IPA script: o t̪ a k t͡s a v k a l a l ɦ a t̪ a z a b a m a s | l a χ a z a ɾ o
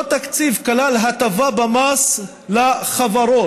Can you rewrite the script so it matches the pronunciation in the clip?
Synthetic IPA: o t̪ a k t͡s i v k a l a l ɦ a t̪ a v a b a m a s | l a χ a v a ɾ o

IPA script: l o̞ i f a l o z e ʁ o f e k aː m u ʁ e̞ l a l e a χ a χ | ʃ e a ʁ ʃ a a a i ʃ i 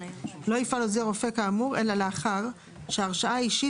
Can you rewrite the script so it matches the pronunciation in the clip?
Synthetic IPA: l o̞ i f a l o z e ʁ o f e k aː m u ʁ e̞ l a l e a χ a ʁ | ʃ e a ʁ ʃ a a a i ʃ i

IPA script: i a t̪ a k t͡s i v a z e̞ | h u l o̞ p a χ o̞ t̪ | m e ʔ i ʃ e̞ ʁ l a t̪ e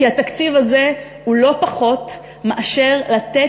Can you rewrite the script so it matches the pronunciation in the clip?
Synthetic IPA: i a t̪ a k t͡s i v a z e̞ | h u l o̞ p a χ o̞ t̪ | m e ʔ a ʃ e̞ ʁ l a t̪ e

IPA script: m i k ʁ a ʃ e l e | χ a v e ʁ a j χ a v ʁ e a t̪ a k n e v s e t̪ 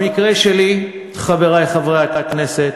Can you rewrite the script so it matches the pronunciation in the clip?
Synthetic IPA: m i k ʁ e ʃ e l i | χ a v e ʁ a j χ a v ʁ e a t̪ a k n e s e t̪

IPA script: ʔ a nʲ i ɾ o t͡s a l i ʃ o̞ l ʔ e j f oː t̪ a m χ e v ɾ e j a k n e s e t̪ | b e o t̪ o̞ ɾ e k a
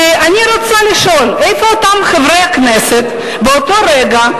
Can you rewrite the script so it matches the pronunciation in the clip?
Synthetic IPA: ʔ a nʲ i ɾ o t͡s a l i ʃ o̞ l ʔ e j f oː t̪ a m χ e v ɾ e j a k n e s e t̪ | b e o t̪ o̞ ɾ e ɡ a

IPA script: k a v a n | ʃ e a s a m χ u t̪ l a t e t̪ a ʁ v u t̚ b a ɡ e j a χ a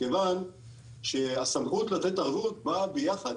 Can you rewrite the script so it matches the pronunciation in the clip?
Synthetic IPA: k e v a n | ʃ e a s a m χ u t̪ l a t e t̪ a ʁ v u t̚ b a b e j a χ a

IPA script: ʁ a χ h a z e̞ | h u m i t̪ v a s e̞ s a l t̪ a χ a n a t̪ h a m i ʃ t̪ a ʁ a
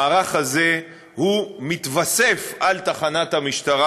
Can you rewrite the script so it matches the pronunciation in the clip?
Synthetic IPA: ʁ a χ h a z e̞ | h u m i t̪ v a s e̞ f a l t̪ a χ a n a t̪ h a m i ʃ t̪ a ʁ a

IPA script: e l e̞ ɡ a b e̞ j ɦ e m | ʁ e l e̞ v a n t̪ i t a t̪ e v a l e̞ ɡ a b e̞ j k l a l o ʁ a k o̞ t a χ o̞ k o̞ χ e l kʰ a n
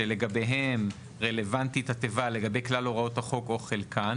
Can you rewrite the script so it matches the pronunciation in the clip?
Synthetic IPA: e l e̞ ɡ a b e̞ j ɦ e m | ʁ e l e̞ v a n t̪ i t a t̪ e v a l e̞ ɡ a b e̞ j k l a l o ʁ a o̞ t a χ o̞ k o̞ χ e l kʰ a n

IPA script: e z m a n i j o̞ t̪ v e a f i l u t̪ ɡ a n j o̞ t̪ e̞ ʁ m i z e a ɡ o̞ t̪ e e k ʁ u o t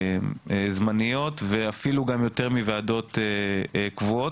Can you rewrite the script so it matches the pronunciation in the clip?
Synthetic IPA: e z m a n i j o̞ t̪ v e a f i l u ɡ a m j o̞ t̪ e̞ ʁ m i v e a d o̞ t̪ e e k v u o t

